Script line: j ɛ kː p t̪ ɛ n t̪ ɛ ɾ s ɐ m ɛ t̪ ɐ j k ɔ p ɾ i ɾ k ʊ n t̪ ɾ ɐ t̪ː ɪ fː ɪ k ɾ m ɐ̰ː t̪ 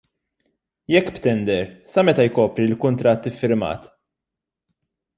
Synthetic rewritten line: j ɛ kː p t̪ ɛ n d̪ ɛ ɾ s ɐ m ɛ t̪ ɐ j k ɔː p ɾ i l k ʊ n t̪ ɾ ɐ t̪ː ɪ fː ɪ ɾ m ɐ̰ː t̪